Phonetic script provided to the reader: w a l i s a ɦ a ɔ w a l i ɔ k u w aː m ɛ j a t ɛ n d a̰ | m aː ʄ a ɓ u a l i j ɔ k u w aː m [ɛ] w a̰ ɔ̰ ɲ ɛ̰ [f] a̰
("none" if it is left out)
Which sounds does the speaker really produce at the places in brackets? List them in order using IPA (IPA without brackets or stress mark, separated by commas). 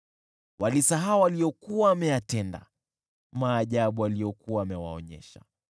ɛ, ʃ